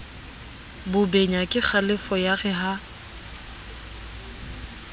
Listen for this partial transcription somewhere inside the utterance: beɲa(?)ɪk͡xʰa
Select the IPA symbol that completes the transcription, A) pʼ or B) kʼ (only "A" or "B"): B